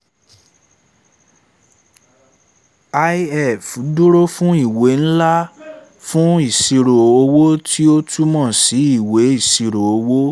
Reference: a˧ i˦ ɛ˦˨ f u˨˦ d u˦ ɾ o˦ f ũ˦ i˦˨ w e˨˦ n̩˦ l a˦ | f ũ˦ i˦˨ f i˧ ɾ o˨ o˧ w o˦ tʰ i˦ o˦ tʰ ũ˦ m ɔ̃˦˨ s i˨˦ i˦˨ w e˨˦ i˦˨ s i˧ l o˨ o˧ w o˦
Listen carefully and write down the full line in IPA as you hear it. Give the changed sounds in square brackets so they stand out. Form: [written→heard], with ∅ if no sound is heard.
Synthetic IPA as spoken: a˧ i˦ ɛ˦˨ f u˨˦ d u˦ ɾ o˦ f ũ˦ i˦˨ w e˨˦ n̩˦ l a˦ | f ũ˦ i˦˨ [f→s] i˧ ɾ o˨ o˧ w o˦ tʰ i˦ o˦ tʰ [ũ˦→u˦] m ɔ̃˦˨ s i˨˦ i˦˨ w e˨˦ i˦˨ s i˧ [l→ɾ] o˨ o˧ w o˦

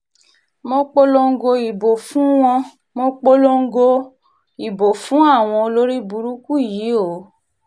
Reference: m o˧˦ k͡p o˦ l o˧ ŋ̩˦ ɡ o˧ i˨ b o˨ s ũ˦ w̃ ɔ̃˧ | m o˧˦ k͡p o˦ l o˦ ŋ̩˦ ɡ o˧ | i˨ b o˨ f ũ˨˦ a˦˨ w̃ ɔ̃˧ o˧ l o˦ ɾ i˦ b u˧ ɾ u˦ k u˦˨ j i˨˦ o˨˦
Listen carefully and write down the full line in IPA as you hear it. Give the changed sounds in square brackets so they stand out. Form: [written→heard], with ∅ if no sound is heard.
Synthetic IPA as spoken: m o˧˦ k͡p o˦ l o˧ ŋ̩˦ ɡ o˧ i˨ b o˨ [s→f] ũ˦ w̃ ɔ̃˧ | m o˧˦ k͡p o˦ l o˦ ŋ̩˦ ɡ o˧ | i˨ b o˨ f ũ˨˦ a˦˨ w̃ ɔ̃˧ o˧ l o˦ ɾ i˦ b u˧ ɾ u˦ k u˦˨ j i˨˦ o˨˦

